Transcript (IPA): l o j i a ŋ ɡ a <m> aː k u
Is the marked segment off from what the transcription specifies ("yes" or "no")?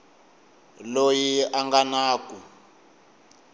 yes